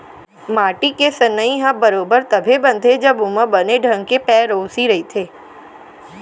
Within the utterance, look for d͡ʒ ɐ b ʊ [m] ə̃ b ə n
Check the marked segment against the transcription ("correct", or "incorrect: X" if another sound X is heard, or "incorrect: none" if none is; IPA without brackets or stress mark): correct